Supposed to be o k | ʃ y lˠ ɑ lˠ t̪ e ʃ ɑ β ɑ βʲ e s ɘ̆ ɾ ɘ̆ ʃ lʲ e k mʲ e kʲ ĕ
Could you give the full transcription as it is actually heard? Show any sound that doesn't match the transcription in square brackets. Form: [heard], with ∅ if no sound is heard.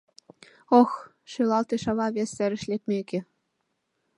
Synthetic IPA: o [x] | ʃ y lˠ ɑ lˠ t̪ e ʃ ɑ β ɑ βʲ e s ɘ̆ ɾ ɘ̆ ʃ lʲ e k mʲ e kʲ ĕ